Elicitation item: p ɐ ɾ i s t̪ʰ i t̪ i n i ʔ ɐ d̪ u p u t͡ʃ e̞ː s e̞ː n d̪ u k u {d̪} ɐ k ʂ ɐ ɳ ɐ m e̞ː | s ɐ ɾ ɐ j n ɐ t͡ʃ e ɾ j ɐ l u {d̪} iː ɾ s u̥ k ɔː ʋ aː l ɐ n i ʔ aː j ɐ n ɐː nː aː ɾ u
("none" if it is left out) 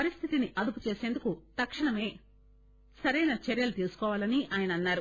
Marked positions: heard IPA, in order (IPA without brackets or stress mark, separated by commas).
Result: t̪, t̪